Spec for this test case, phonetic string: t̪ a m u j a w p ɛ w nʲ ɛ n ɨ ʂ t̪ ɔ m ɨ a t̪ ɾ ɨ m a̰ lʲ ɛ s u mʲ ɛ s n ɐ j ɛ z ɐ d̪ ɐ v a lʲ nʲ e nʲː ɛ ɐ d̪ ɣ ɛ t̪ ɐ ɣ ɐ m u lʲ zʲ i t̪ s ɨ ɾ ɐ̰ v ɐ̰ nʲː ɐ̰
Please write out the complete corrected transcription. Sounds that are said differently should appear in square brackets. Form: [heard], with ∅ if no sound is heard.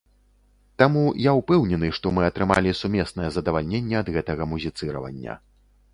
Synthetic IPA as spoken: t̪ a m u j a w p ɛ w nʲ ɛ n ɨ ʂ t̪ ɔ m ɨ [ɐ] t̪ ɾ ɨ m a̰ lʲ [i] s u mʲ ɛ s n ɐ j ɛ z ɐ d̪ ɐ v a lʲ nʲ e nʲː ɛ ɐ d̪ ɣ ɛ t̪ ɐ ɣ ɐ m u [∅] zʲ i t̪ s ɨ ɾ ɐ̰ v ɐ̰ nʲː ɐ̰